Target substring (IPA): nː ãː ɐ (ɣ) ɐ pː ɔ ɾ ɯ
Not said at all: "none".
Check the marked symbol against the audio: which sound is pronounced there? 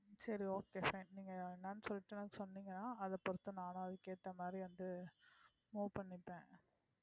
ð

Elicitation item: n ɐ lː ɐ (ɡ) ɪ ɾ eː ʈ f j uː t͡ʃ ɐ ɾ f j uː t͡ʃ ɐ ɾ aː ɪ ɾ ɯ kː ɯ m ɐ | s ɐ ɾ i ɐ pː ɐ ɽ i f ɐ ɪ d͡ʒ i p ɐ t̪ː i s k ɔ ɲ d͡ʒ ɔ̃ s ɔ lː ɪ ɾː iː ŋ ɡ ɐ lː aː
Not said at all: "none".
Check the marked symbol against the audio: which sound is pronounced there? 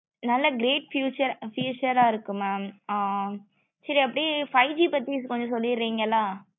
ɡ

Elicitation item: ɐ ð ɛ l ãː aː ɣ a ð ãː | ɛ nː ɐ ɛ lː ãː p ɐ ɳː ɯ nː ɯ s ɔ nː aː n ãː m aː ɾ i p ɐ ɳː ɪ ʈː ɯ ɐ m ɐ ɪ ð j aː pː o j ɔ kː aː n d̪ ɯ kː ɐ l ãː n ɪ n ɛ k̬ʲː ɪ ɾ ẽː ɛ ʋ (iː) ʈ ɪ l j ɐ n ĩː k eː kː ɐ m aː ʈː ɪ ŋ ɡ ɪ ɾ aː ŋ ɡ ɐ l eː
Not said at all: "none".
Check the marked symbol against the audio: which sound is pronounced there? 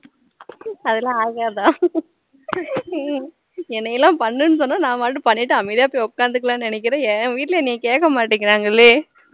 iː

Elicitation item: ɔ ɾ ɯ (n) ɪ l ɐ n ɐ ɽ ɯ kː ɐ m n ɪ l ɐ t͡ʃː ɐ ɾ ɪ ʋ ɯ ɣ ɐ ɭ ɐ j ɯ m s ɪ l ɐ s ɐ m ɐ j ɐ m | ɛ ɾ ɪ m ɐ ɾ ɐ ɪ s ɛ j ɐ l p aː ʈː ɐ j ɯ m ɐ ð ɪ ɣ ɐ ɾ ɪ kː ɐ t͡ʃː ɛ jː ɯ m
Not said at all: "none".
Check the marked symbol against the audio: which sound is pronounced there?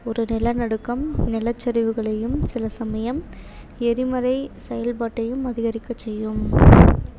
n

